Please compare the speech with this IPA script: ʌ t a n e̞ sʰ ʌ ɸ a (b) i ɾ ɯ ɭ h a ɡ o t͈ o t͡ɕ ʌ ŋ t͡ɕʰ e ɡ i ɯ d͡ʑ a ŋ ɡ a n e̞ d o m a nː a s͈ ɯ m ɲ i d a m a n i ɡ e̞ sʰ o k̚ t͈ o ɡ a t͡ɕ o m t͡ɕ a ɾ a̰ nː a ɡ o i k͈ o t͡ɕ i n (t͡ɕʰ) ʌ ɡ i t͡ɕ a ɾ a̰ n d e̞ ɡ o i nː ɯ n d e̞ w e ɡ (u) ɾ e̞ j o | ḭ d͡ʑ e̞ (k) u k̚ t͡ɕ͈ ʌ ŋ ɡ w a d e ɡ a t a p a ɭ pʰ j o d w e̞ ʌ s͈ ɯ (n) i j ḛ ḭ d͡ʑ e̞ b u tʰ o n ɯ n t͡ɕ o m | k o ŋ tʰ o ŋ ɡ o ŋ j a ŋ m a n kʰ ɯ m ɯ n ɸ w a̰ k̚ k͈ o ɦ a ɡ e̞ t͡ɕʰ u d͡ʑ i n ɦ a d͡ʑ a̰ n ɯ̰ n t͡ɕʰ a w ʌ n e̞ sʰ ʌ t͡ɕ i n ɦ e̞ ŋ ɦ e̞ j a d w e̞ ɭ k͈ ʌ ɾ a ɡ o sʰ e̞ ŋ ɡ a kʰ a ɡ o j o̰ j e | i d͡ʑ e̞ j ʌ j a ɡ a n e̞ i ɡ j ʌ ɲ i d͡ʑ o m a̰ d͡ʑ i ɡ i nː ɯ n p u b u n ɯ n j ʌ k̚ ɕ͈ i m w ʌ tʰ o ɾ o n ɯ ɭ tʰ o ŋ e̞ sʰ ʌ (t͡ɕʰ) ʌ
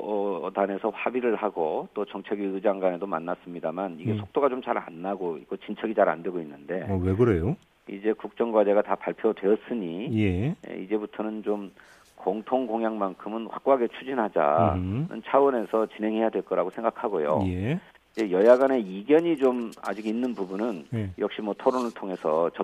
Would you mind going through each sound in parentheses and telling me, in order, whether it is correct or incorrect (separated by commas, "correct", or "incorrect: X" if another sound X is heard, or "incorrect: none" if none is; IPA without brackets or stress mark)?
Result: correct, correct, incorrect: ɯ, correct, incorrect: ɲ, incorrect: t͡ɕ